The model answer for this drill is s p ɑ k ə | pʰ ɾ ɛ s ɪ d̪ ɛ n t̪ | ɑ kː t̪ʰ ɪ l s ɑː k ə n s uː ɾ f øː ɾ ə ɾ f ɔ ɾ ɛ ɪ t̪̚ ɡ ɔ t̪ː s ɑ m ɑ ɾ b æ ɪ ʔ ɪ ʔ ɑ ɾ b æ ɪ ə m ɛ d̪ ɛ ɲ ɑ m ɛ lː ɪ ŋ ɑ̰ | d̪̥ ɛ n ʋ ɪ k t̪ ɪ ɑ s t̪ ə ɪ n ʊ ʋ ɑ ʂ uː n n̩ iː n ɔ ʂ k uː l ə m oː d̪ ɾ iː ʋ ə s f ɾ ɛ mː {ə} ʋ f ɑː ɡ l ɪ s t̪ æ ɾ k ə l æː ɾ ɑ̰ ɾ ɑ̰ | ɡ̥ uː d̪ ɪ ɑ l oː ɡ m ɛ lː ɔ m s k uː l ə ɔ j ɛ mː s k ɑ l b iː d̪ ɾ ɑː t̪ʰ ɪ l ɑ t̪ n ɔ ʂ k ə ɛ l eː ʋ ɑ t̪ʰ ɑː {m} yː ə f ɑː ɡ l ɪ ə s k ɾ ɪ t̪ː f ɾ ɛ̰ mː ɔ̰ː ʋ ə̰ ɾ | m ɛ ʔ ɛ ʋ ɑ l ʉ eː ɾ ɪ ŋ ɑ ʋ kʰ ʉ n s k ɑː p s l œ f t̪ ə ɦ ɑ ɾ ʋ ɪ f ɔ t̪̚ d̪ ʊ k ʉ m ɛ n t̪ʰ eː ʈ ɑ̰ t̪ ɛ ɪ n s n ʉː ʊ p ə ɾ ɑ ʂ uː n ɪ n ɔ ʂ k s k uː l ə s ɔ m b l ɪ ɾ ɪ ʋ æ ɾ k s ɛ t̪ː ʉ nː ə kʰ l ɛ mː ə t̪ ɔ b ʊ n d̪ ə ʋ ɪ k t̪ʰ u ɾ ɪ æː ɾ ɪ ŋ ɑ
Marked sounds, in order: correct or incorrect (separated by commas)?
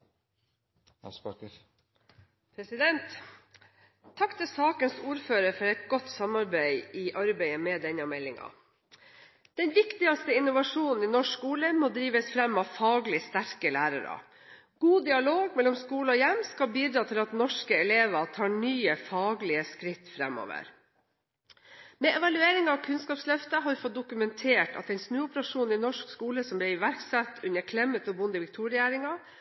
incorrect, incorrect